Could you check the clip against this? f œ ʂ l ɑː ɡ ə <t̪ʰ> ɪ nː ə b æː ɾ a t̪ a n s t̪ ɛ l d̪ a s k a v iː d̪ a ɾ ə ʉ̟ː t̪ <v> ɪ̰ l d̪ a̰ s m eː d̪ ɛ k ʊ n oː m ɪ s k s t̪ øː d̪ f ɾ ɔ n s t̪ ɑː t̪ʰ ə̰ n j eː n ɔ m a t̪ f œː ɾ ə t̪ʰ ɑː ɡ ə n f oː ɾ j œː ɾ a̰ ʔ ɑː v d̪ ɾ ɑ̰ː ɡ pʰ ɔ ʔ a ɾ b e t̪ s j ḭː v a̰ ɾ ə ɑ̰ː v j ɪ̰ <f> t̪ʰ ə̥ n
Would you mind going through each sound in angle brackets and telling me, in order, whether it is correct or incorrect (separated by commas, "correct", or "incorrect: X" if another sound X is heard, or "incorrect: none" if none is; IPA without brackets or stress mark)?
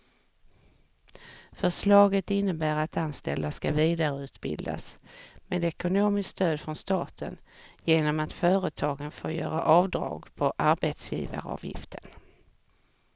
incorrect: t̪, incorrect: b, correct